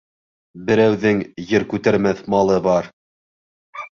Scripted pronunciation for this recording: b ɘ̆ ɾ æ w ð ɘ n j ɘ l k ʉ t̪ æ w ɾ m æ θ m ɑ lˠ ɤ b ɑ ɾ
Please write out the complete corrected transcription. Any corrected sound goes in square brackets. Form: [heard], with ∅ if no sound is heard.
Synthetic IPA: b ɘ̆ ɾ æ w ð ɘ [ŋ] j ɘ [ɾ] k ʉ t̪ æ [∅] ɾ m æ θ m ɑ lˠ ɤ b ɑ ɾ